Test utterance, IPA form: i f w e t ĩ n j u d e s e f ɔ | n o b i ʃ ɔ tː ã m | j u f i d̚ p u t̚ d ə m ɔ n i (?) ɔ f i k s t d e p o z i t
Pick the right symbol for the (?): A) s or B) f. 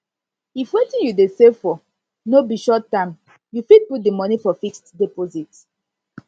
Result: B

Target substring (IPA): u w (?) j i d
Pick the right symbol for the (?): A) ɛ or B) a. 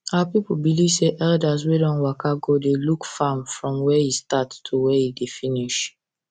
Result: A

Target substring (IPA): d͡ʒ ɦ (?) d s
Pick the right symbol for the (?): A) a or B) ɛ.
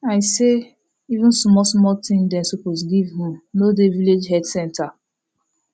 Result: B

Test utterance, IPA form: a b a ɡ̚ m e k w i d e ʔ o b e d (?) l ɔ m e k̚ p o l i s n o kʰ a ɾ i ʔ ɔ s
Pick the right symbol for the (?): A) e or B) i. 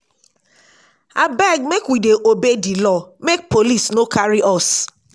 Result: B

